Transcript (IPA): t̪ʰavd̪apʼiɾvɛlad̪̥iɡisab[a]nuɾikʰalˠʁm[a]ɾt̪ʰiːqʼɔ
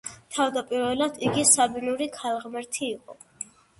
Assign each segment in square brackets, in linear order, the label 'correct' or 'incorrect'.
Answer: incorrect: i, incorrect: ɛ

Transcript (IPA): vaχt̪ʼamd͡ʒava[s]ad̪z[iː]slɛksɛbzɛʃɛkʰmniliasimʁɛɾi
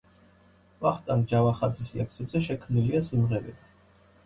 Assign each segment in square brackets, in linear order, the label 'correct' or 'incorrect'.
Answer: incorrect: χ, incorrect: i

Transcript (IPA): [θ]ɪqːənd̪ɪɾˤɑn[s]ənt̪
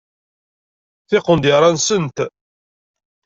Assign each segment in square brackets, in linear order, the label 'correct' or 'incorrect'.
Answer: correct, correct

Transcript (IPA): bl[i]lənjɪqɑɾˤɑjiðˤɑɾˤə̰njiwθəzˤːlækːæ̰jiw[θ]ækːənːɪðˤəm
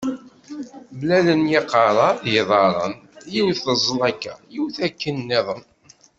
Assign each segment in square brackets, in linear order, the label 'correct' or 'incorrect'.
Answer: incorrect: æ, correct

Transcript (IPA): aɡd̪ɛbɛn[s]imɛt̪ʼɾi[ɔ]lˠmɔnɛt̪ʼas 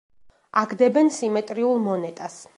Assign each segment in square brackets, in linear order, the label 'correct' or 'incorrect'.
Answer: correct, incorrect: u

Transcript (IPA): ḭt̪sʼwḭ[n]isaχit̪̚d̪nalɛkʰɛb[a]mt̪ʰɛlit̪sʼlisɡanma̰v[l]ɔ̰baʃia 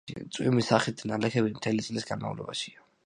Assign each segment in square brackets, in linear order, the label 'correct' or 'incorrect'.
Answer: incorrect: m, incorrect: i, correct

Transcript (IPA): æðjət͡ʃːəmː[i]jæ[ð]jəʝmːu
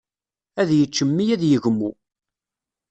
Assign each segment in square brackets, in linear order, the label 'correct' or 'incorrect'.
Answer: correct, correct

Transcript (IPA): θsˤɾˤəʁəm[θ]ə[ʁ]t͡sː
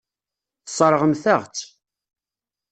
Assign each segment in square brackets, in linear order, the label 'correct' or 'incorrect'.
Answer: correct, correct

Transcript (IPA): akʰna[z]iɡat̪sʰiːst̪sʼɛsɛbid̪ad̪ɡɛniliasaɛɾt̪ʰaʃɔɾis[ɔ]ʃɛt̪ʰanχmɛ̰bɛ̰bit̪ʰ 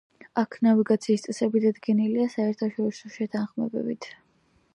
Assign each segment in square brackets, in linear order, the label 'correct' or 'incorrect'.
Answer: incorrect: v, correct

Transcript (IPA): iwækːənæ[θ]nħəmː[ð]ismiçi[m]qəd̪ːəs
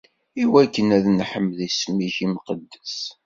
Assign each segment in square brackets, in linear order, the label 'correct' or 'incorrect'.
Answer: incorrect: ð, correct, correct

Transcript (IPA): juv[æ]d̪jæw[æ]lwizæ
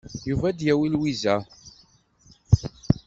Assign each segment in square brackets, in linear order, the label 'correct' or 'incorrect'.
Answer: correct, incorrect: i

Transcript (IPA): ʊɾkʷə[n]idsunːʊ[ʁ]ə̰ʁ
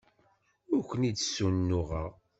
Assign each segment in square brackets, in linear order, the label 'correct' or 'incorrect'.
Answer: correct, correct

